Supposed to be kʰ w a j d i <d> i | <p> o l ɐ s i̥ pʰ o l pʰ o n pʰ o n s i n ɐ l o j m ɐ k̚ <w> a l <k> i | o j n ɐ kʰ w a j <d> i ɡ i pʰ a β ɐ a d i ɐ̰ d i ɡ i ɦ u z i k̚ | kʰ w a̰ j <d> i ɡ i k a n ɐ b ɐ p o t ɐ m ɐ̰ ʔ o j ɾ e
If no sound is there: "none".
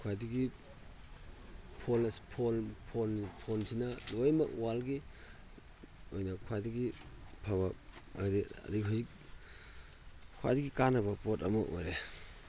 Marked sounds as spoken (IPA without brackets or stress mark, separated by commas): ɡ, pʰ, w, ɡ, d, d